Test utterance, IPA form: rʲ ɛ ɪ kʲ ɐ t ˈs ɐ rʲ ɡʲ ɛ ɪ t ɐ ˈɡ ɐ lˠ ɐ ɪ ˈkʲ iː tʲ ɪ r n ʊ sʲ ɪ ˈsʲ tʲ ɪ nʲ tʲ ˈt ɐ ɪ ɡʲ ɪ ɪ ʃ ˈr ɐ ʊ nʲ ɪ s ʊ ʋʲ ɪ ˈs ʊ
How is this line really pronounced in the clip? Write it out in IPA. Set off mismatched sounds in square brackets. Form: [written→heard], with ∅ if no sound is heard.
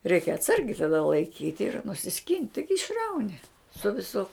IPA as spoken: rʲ ɛ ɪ kʲ ɐ t ˈs ɐ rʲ ɡʲ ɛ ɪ t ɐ [ˈɡ→ˈd] ɐ lˠ ɐ ɪ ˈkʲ iː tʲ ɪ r n ʊ sʲ ɪ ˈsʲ [tʲ→kʲ] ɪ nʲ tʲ ˈt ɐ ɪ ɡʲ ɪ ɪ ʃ ˈr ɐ ʊ nʲ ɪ s ʊ ʋʲ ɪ ˈs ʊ